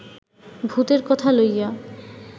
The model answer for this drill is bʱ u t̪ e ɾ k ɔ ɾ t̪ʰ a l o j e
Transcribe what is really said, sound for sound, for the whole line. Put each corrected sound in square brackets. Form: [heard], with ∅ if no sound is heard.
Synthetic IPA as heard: bʱ u t̪ e ɾ k ɔ [∅] t̪ʰ a l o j [a]